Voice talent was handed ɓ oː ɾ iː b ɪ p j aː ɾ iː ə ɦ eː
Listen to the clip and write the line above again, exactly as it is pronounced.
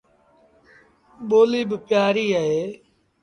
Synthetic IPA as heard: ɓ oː l iː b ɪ p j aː ɾ iː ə ɦ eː